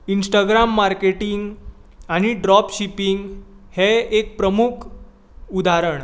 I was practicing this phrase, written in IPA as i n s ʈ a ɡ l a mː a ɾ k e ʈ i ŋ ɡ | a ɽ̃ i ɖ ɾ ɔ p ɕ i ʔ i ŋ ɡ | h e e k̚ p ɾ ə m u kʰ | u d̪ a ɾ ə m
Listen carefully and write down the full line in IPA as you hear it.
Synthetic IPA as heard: i n s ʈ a ɡ ɾ a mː a ɾ k e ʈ i ŋ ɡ | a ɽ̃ i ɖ ɾ ɔ p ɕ i p i ŋ ɡ | h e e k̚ p ɾ ə m u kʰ | u d̪ a ɾ ə ɳ